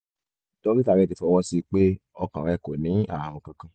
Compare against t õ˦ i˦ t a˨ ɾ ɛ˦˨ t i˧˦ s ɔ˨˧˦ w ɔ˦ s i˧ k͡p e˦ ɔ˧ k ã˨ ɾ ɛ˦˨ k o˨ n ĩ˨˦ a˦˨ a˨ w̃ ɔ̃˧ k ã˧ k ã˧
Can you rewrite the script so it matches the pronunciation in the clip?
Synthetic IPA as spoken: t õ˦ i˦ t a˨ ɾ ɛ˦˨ t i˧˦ f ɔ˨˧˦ w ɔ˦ s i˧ k͡p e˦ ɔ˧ k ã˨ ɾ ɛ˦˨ k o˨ n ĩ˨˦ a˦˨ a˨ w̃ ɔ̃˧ k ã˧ k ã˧